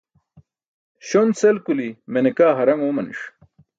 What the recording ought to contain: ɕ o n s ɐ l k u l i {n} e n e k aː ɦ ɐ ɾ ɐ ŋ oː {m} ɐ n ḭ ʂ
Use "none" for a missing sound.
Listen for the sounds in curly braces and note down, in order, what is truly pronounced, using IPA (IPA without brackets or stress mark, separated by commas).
m, m